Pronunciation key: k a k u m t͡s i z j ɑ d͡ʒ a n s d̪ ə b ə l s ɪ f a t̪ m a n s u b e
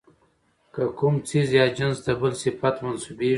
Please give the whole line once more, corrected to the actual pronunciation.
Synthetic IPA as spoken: k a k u m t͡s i z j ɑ d͡ʒ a n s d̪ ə b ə l s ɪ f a t̪ m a n s u b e